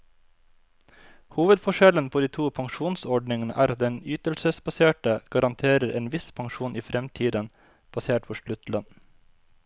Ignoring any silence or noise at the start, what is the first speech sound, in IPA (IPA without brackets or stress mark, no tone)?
h